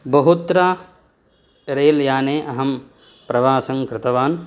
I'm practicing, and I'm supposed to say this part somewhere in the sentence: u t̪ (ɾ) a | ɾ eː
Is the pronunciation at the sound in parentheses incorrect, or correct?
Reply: correct